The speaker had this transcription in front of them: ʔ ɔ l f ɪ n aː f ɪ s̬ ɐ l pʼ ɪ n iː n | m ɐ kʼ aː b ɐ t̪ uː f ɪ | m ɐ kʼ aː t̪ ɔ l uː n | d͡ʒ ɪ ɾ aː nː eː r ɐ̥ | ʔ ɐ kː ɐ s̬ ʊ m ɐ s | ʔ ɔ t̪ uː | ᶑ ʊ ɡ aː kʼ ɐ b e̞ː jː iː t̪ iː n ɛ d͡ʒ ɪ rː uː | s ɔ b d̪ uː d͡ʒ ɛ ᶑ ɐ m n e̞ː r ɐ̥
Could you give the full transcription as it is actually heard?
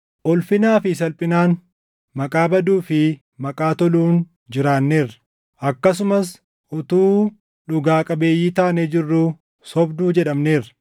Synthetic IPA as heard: ʔ ɔ l f ɪ n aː f ɪ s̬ ɐ l pʼ ɪ n aː n | m ɐ kʼ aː b ɐ d̪ uː f ɪ | m ɐ kʼ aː t̪ ɔ l uː n | d͡ʒ ɪ ɾ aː nː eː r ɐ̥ | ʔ ɐ kː ɐ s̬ ʊ m ɐ s | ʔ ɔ t̪ uː | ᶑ ʊ ɡ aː kʼ ɐ b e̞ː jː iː t̪ aː n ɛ d͡ʒ ɪ rː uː | s ɔ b d̪ uː d͡ʒ ɛ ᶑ ɐ m n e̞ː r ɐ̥